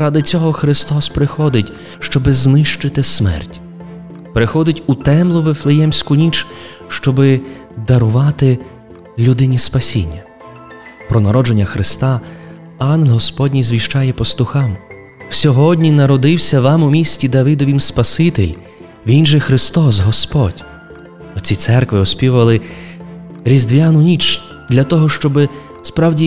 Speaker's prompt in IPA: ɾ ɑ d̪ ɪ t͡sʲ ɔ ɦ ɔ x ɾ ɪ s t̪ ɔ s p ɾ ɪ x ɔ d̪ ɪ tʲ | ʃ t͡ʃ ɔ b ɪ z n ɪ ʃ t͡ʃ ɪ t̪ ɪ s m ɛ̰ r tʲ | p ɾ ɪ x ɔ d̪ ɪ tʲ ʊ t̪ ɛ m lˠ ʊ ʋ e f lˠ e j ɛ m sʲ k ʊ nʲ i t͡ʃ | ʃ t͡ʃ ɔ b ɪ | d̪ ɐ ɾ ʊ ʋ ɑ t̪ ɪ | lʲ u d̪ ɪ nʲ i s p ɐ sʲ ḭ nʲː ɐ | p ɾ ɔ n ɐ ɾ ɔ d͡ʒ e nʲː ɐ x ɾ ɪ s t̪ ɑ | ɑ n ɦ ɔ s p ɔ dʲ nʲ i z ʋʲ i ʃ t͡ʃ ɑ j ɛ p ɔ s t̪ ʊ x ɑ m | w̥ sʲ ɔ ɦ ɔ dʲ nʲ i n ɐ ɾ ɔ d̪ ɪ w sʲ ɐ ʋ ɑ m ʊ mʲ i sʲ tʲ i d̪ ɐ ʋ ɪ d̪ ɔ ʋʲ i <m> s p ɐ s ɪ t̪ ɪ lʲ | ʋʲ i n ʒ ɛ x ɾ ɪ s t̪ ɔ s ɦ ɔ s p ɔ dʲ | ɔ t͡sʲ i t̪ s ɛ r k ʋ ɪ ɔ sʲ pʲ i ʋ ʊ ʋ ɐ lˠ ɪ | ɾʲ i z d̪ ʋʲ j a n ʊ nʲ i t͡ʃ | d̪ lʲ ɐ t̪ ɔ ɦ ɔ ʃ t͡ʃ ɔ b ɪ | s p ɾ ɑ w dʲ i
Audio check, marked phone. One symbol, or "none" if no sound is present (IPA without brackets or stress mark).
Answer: m